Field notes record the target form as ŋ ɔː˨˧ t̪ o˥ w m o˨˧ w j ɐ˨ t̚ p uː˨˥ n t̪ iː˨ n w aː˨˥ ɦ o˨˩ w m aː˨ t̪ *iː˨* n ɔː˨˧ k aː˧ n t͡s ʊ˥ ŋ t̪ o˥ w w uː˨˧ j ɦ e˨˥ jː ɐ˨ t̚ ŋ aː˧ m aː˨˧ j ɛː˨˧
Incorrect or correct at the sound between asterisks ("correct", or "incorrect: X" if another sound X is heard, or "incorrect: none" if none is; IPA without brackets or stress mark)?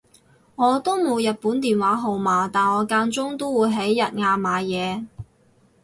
incorrect: aː˨